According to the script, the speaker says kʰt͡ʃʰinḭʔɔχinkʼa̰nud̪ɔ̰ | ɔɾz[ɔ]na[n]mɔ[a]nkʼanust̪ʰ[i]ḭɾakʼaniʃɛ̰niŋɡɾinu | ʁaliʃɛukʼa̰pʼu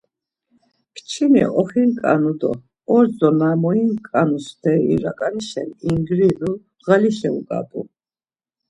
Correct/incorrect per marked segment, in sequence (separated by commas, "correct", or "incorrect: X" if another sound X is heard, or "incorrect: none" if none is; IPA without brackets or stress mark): correct, incorrect: none, incorrect: i, incorrect: ɛ